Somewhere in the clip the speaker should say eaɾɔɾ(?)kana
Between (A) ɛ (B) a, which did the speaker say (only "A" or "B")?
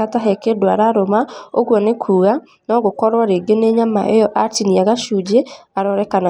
A